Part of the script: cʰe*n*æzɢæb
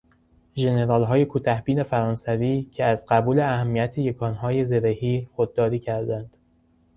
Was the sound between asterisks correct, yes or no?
no